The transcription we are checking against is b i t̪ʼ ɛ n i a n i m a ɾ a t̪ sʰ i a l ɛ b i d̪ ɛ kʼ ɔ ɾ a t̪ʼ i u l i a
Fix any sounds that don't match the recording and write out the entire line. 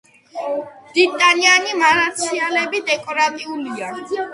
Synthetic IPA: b i t̪ʼ a n i a n i m a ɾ a t̪ sʰ i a l ɛ b i d̪ ɛ kʼ ɔ ɾ a t̪ʼ i u l i a